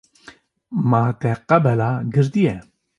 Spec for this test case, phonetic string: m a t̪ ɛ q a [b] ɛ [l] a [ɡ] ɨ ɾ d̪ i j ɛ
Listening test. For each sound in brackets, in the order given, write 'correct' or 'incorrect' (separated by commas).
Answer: correct, correct, correct